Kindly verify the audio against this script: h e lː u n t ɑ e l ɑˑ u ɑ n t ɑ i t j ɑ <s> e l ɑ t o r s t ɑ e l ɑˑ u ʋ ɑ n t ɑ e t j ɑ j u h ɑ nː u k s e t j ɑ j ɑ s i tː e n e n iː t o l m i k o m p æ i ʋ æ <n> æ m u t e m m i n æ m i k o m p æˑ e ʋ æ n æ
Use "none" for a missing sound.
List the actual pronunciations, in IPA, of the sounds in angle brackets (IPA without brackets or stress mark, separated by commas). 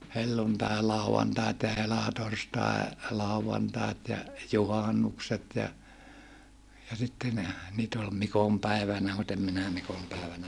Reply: h, n